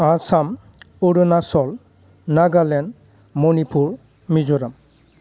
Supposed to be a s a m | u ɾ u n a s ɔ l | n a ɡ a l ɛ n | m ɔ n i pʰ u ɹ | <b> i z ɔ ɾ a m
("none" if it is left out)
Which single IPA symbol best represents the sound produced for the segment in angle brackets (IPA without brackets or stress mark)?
m